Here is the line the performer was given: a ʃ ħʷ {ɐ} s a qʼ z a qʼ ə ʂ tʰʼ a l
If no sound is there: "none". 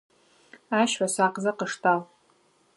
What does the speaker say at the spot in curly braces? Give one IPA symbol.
a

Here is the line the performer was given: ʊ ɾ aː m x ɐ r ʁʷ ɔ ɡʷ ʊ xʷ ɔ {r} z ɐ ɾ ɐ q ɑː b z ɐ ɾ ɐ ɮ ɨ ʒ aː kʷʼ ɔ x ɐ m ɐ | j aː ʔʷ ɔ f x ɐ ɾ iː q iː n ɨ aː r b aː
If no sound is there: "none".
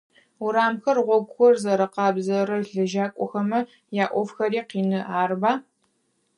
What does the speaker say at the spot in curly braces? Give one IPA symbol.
r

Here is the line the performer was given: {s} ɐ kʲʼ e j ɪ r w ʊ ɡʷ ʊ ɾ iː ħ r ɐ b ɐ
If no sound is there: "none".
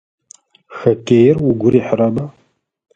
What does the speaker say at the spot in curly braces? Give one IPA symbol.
x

